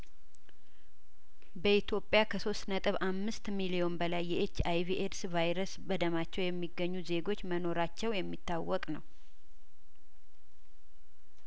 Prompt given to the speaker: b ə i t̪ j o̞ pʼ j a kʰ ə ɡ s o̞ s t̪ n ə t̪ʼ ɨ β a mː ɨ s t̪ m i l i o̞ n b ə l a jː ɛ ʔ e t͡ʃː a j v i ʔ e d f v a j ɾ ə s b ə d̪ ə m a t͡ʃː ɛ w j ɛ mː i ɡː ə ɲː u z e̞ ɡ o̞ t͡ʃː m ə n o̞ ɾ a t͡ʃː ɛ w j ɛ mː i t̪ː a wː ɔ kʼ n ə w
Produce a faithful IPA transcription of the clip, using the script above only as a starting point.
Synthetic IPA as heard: b ə i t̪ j o̞ pʼ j a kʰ ə s o̞ s t̪ n ə t̪ʼ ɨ β a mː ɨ s t̪ m i l i o̞ n b ə l a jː ɛ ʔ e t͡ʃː a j v i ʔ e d s v a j ɾ ə s b ə d̪ ə m a t͡ʃː ɛ w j ɛ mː i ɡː ə ɲː u z e̞ ɡ o̞ t͡ʃː m ə n o̞ ɾ a t͡ʃː ɛ w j ɛ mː i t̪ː a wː ɔ kʼ n ə w